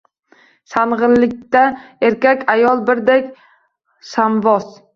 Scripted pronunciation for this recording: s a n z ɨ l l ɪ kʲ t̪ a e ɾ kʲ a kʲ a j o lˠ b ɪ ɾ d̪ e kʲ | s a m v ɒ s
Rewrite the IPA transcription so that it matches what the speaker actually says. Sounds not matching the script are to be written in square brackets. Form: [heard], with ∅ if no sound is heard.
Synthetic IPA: s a n [ʁ] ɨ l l ɪ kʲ t̪ a e ɾ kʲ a kʲ a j [ɒ] lˠ b ɪ ɾ d̪ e kʲ | s a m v ɒ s